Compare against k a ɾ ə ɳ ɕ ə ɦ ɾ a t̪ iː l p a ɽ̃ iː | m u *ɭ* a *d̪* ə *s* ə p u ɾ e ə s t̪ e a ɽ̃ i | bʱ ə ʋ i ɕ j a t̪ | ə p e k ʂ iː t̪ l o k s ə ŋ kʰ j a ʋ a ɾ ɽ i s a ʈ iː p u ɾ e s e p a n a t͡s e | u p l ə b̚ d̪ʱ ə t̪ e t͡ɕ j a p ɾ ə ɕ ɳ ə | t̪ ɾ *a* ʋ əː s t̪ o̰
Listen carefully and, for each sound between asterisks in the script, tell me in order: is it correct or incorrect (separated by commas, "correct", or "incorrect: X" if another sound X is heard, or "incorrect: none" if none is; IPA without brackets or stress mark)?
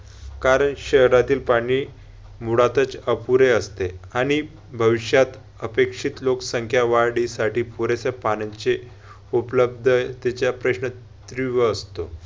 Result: incorrect: ɽ, incorrect: t̪, incorrect: t͡s, incorrect: i